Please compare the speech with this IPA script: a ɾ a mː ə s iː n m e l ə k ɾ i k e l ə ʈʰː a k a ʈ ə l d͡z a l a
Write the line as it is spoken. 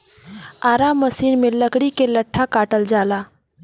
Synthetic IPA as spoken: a ɾ a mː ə s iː n m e l ə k ɽ i k e l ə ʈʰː a k a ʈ ə l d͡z a l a